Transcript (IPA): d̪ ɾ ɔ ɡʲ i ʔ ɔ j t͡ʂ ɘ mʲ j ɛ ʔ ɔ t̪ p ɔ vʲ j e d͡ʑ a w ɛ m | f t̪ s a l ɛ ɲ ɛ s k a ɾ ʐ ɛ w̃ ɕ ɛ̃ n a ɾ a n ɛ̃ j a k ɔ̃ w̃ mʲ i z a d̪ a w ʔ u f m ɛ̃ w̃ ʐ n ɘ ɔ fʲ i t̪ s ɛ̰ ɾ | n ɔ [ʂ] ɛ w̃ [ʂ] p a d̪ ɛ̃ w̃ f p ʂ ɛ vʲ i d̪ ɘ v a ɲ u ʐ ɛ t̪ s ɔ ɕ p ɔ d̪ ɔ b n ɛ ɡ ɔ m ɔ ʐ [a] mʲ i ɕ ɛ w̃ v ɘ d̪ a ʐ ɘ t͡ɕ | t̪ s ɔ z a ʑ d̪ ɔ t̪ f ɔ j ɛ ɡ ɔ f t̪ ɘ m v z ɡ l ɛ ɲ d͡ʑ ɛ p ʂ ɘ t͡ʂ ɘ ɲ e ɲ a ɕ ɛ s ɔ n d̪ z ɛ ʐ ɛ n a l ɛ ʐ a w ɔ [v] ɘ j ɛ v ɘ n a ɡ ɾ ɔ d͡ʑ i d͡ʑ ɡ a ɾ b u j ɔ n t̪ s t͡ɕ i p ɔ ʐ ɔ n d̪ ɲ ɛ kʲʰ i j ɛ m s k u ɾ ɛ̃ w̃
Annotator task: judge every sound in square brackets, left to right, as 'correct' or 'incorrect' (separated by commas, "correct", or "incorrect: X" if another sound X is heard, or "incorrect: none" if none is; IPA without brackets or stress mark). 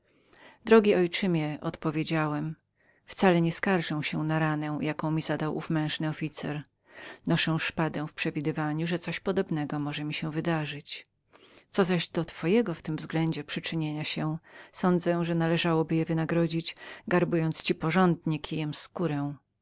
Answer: correct, correct, incorrect: ɛ, incorrect: b